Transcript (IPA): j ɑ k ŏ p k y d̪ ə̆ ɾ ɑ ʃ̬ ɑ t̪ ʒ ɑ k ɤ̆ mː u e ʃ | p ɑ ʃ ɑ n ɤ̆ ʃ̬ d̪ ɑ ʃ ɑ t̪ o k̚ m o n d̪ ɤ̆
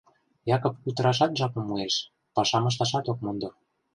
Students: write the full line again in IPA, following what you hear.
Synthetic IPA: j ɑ k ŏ p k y t̪ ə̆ ɾ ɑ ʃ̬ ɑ t̪ ʒ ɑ k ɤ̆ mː u e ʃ | p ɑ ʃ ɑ m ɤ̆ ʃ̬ t̪ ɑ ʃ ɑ t̪ o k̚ m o n d̪ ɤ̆